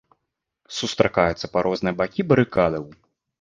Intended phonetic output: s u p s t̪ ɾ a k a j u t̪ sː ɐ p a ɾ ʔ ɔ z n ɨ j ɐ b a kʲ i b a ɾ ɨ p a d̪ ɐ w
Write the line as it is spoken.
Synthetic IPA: s u s t̪ ɾ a k a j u t̪ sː ɐ p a ɾ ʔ ɔ z n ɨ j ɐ b a kʲ i b ɐ ɾ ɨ k a d̪ ɐ w

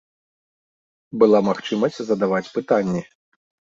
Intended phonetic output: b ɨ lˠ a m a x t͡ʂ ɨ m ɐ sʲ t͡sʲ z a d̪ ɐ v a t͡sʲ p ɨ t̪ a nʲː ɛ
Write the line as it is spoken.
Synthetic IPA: b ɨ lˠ a m a x t͡ʂ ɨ m ɐ sʲ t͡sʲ z ɐ d̪ a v a t͡sʲ p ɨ t̪ a nʲː ɛ

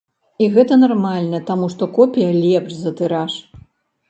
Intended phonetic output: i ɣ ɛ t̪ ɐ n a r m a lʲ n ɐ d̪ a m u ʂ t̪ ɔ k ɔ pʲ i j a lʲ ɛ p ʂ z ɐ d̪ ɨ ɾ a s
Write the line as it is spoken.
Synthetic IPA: i ɣ ɛ t̪ ɐ n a r m a lʲ n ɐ t̪ a m u ʂ t̪ ɔ k ɔ pʲ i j ɐ lʲ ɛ p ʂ z ɐ t̪ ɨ ɾ a ʂ

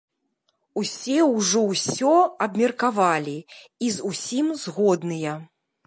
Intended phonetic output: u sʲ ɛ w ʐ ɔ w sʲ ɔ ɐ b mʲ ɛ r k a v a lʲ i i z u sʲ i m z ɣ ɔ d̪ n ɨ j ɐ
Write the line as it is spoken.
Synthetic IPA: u sʲ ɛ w ʐ ɔ w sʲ ɔ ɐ b mʲ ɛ r k a v a lʲ i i z u sʲ i m z ɣ ɔ d̪ n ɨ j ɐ

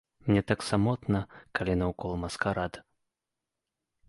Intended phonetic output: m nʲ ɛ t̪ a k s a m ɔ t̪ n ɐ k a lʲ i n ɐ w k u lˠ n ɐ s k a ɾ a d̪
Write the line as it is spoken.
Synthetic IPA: m nʲ ɛ t̪ a k s a m ɔ t̪ n ɐ k a lʲ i n ɐ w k ɔ lˠ m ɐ s k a ɾ a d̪

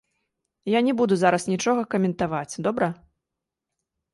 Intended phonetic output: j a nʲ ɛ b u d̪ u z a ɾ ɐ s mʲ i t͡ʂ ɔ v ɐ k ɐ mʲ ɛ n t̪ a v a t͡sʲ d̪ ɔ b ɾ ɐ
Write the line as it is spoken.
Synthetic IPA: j a nʲ ɛ b u d̪ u z a ɾ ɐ s nʲ i t͡ʂ ɔ ɣ ɐ k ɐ mʲ ɛ n t̪ a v a t͡sʲ d̪ ɔ b ɾ ɐ

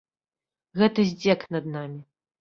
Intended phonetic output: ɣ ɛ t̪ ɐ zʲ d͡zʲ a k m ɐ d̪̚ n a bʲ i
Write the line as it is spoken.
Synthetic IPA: ɣ ɛ t̪ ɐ zʲ d͡zʲ ɛ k n ɐ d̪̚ n a mʲ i

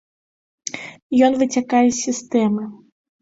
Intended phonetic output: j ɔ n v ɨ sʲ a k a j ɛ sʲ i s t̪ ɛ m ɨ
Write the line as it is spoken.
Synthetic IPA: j ɔ n v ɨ t͡sʲ a k a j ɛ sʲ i s t̪ ɛ m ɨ

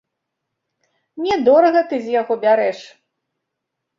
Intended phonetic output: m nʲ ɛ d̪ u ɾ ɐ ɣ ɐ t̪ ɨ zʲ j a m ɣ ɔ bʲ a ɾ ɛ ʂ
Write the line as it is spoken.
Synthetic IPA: m nʲ ɛ d̪ ɔ ɾ ɐ ɣ ɐ t̪ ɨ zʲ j a ɣ ɔ bʲ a ɾ ɛ ʂ

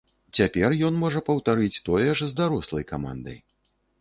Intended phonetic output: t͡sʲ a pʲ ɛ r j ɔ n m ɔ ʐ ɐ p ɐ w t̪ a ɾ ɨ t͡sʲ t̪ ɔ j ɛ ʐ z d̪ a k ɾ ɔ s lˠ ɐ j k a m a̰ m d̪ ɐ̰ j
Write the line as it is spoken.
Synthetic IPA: t͡sʲ a pʲ ɛ r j ɔ n m ɔ ʐ ɐ p ɐ w t̪ a ɾ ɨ t͡sʲ t̪ ɔ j ɛ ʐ z d̪ a ɾ ɔ s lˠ ɐ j k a m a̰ n d̪ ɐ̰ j

